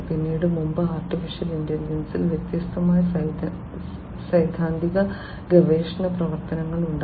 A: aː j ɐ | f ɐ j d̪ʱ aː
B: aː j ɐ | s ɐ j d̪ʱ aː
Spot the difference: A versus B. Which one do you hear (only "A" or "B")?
B